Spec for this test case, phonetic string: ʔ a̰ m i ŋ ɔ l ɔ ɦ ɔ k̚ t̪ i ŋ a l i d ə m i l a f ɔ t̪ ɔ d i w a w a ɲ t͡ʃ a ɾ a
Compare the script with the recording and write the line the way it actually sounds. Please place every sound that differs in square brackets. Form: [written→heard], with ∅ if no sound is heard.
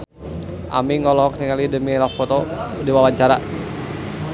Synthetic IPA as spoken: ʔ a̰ m i ŋ ɔ l ɔ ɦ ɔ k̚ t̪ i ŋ a l i d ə m i l a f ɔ t̪ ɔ d i w a w a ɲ t͡ʃ a ɾ a

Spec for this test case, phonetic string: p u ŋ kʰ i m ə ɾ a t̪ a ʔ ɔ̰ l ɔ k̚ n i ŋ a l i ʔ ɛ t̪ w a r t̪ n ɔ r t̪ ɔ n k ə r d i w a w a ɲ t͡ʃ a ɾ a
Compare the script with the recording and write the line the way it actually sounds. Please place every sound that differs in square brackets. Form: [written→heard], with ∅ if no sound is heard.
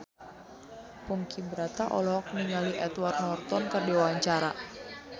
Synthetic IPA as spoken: p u ŋ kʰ i [m→b] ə ɾ a t̪ a ʔ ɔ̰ l ɔ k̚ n i ŋ a l i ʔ ɛ t̪ w a r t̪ n ɔ r t̪ ɔ n k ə r d i w a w a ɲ t͡ʃ a ɾ a

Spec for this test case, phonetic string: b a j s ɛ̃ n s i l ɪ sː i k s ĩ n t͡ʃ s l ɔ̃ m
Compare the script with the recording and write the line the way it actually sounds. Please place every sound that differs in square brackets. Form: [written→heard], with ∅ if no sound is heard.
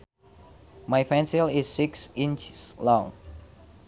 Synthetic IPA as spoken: [b→m] a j [s→f] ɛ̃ n s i l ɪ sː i k s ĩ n t͡ʃ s l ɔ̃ [m→ŋ]

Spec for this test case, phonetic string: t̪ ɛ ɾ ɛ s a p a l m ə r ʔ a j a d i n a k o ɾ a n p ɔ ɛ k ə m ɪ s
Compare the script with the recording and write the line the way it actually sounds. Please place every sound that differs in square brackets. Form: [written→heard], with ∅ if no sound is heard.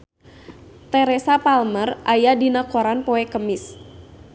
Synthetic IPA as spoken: t̪ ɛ ɾ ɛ s a p a l m ə r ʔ a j a d i n a k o ɾ a n p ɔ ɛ k ə m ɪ s

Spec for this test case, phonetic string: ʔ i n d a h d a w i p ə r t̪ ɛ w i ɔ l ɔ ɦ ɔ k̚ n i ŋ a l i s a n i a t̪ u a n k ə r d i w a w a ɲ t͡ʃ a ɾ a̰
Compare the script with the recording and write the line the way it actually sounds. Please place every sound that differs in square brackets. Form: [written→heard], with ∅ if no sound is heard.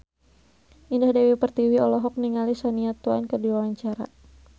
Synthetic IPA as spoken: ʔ i n d a h d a w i p ə r t̪ [ɛ→i] w i ɔ l ɔ ɦ ɔ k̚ n i ŋ a l i s a n i a t̪ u a n k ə r d i w a w a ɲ t͡ʃ a ɾ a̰

